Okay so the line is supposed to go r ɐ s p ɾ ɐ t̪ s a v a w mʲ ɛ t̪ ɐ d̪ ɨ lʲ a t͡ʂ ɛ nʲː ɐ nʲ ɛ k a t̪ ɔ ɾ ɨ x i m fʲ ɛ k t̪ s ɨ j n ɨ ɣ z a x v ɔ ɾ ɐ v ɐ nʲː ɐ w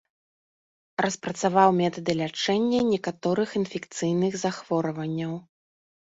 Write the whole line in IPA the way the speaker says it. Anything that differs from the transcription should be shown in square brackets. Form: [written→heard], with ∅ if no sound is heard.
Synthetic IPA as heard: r ɐ s p ɾ ɐ t̪ s a v a w mʲ ɛ t̪ ɐ d̪ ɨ lʲ a t͡ʂ ɛ nʲː ɐ nʲ ɛ k a t̪ ɔ ɾ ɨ x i [m→n] fʲ ɛ k t̪ s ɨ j n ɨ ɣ z a x v ɔ ɾ ɐ v ɐ nʲː ɐ w